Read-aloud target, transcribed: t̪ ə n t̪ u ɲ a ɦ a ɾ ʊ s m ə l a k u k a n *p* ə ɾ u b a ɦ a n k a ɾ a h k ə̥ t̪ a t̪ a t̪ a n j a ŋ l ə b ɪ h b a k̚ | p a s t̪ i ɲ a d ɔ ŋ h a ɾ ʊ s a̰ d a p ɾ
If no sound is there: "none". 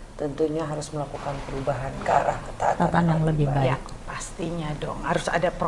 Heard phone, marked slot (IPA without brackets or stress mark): p